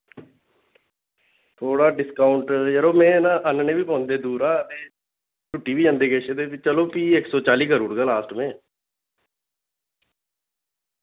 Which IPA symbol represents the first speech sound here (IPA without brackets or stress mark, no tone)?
t̪ʰ